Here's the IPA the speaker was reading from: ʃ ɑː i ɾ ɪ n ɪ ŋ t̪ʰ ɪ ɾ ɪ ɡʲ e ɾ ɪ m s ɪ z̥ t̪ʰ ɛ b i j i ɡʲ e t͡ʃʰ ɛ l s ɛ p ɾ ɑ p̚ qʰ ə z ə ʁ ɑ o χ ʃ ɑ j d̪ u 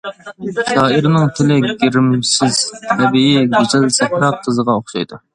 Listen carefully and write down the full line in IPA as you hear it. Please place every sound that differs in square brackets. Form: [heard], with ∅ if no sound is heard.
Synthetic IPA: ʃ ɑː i ɾ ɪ n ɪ ŋ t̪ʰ ɪ [l] ɪ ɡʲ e ɾ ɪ m s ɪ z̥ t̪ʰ ɛ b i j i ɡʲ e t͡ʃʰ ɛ l s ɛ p ɾ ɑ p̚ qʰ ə z ə ʁ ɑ o χ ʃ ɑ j d̪ u